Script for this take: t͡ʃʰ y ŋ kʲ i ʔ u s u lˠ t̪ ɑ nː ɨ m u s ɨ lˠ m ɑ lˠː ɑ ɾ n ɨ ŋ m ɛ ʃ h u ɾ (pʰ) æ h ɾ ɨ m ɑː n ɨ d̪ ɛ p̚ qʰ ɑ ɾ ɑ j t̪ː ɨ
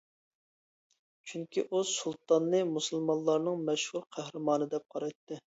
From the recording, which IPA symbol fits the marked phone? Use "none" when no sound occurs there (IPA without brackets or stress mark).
qʰ